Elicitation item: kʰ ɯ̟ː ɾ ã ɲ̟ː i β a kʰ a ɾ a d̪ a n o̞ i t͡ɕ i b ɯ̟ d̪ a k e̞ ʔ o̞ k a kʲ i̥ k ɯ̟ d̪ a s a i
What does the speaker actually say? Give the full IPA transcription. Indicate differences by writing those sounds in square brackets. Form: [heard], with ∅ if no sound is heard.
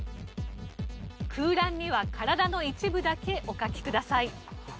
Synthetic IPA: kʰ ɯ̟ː ɾ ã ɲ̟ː i β a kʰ a ɾ a d̪ a n o̞ i t͡ɕ i b ɯ̟ d̪ a k e̞ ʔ o̞ k a kʲ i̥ k ɯ̟ d̪ a s a i

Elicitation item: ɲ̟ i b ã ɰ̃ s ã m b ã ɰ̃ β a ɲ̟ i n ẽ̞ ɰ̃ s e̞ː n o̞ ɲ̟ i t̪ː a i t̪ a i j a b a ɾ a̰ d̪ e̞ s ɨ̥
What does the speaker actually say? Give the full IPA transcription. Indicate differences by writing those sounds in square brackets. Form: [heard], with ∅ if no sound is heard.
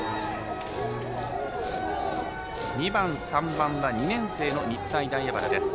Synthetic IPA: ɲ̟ i b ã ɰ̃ s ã m b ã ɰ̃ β a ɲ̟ i n ẽ̞ ɰ̃ s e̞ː n o̞ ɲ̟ i t̪ː a i [d̪] a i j a b a ɾ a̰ d̪ e̞ s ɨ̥

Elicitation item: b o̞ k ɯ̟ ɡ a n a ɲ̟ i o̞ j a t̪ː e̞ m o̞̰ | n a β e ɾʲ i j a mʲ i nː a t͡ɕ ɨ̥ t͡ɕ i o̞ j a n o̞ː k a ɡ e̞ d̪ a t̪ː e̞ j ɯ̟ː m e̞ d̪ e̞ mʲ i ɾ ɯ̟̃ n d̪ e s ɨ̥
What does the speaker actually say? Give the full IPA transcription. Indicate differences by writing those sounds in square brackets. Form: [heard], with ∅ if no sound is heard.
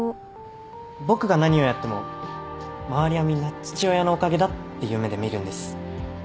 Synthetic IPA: b o̞ k ɯ̟ ɡ a n a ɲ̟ i o̞ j a t̪ː e̞ m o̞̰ | [m] a β [a] ɾʲ i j a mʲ i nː a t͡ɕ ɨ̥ t͡ɕ i o̞ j a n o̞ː k a ɡ e̞ d̪ a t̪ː e̞ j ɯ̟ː m e̞ d̪ e̞ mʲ i ɾ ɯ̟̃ n d̪ e s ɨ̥

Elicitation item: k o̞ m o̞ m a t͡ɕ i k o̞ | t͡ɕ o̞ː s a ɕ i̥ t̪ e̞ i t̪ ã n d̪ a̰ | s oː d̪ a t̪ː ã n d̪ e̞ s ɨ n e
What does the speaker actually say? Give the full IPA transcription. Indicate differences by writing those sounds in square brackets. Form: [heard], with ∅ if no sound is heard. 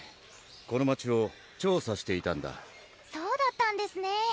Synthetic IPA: k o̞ [n] o̞ m a t͡ɕ i [∅] o̞ | t͡ɕ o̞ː s a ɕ i̥ t̪ e̞ i t̪ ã n d̪ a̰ | s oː d̪ a t̪ː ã n d̪ e̞ s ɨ n e

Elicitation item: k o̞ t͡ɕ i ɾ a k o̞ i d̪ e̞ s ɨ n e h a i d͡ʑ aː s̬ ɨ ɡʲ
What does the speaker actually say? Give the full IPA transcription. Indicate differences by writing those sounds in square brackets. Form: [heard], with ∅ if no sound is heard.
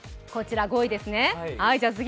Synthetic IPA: k o̞ t͡ɕ i ɾ a [ɡ] o̞ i d̪ e̞ s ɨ n e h a i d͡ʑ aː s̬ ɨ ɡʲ

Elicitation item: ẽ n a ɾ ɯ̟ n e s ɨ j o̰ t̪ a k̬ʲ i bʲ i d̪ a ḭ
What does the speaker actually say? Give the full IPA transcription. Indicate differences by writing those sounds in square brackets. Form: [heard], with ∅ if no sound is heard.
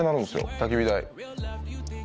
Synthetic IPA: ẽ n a ɾ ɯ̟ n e s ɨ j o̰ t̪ a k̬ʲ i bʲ i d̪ a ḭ

